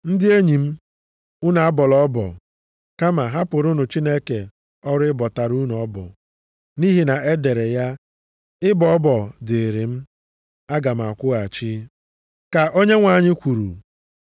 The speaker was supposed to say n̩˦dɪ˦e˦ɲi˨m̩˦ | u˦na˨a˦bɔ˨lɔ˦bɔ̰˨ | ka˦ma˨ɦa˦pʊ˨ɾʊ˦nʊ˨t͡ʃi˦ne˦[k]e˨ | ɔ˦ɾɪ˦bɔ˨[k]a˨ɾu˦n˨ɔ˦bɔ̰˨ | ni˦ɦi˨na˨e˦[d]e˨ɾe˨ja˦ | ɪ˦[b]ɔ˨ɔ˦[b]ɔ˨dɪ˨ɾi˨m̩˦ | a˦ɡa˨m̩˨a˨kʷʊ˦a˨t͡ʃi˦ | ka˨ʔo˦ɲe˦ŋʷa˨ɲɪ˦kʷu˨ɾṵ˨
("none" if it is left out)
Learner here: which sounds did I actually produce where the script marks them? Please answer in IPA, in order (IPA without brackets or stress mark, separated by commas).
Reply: k, t, d, b, b